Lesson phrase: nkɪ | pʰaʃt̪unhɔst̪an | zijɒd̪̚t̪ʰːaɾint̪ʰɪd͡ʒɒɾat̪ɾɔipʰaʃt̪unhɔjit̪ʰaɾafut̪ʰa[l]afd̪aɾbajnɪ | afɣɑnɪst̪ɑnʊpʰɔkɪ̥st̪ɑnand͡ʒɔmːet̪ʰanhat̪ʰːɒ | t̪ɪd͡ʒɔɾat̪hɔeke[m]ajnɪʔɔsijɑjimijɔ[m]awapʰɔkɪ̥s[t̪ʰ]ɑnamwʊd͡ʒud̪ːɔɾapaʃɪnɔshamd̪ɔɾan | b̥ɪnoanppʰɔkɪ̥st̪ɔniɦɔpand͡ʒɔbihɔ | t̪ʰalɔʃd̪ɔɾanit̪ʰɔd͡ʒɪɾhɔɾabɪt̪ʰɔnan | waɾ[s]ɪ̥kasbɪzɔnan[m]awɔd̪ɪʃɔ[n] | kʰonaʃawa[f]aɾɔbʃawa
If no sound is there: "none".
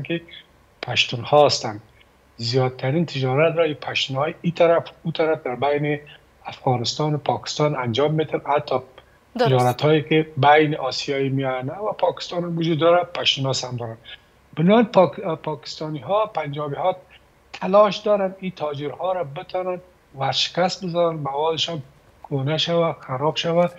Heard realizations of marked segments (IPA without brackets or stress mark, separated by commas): ɾ, b, n, t̪, ʃ, m, n, x